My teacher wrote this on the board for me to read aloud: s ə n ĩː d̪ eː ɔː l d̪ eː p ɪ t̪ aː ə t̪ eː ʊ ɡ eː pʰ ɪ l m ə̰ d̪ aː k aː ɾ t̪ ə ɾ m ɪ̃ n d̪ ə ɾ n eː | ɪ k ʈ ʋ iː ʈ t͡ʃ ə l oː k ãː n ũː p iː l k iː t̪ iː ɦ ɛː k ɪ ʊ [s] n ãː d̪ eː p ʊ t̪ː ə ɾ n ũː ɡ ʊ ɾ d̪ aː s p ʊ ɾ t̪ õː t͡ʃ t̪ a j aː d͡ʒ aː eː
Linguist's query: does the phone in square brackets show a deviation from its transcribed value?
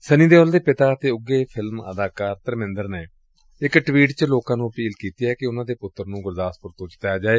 yes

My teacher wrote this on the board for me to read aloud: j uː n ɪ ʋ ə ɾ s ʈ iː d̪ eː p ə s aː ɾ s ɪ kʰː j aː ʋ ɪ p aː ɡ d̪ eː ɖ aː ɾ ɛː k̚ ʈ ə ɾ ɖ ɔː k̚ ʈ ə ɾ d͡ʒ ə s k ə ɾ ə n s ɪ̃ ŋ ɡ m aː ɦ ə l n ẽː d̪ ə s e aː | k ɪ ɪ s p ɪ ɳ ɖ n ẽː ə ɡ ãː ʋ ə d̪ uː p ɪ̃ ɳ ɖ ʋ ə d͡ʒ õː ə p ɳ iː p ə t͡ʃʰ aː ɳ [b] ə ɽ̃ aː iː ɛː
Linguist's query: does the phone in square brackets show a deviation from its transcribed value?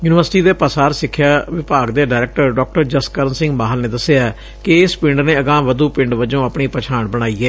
no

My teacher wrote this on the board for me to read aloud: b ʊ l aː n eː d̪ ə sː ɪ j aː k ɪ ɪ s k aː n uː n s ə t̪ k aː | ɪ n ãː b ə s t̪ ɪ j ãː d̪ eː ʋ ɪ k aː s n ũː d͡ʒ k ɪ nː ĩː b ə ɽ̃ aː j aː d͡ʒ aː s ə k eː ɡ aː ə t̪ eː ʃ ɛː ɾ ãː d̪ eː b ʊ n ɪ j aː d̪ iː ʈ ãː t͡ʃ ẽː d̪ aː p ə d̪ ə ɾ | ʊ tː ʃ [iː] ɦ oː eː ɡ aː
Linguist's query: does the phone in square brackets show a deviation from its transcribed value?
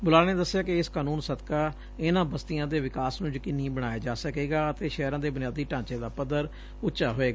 yes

